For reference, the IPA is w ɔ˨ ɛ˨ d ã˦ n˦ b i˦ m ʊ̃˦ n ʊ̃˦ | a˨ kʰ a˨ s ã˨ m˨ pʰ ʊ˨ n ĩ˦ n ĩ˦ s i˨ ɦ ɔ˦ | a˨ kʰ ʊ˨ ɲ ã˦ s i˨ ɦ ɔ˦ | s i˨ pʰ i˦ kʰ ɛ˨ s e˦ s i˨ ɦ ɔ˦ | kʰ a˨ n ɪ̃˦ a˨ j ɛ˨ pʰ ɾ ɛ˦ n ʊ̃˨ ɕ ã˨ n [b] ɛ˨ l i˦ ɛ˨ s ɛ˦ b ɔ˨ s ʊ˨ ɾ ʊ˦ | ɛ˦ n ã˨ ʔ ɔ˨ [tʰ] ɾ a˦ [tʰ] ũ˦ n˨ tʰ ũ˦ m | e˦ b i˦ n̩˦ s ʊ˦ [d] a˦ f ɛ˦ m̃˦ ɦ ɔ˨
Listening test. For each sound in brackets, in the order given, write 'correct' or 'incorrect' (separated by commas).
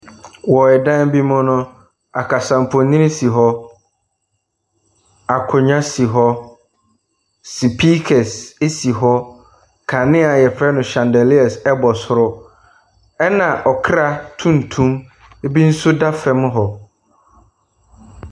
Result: incorrect, incorrect, correct, correct